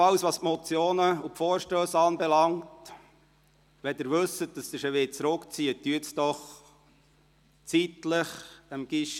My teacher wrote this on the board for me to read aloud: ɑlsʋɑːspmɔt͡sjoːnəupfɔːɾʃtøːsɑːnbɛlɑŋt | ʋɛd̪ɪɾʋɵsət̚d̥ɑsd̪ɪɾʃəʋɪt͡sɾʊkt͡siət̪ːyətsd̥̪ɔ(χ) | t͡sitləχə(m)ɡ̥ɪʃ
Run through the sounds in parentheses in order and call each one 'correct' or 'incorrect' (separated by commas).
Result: correct, correct